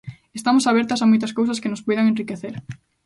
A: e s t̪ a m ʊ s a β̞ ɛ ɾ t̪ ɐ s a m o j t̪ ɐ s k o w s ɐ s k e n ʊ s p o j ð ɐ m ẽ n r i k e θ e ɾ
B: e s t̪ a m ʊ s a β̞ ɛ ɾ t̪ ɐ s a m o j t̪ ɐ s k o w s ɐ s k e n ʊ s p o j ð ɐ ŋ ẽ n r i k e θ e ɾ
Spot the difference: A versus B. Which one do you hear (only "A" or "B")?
B